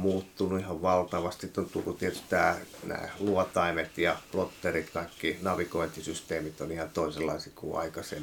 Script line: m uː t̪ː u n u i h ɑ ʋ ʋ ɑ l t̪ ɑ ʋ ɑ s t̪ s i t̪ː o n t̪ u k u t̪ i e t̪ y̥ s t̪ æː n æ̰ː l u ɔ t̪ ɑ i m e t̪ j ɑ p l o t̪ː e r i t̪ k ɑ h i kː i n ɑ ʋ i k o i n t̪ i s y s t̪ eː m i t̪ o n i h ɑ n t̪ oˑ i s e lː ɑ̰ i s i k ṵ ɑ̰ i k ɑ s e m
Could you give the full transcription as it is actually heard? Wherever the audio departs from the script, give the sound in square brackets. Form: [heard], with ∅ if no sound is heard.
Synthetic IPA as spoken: m uː t̪ː u n u i h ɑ ʋ ʋ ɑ l t̪ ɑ ʋ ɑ s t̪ s i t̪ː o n t̪ u k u t̪ i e t̪ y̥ s t̪ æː n æ̰ː l u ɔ t̪ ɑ i m e t̪ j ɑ p l o t̪ː e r i t̪ k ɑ [∅] i kː i n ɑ ʋ i k o i n t̪ i s y s t̪ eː m i t̪ o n i h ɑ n t̪ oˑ i s e lː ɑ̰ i s i k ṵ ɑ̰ i k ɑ s e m